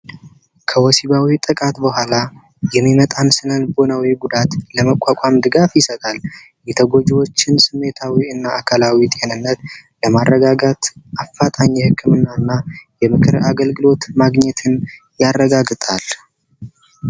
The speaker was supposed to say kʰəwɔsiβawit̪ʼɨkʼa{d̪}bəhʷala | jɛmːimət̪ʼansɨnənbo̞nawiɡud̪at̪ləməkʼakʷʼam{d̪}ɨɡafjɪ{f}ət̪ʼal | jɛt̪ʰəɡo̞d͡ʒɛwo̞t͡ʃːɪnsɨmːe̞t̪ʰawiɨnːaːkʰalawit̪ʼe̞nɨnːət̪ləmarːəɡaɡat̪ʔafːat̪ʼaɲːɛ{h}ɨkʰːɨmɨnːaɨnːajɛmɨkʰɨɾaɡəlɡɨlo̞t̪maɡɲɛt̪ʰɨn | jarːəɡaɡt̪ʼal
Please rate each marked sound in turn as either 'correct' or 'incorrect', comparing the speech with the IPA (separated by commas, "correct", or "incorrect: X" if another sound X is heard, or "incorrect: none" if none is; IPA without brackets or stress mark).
incorrect: t̪, correct, incorrect: s, correct